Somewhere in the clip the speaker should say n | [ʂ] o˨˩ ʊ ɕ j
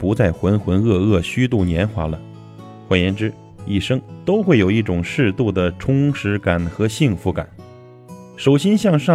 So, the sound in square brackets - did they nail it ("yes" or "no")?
yes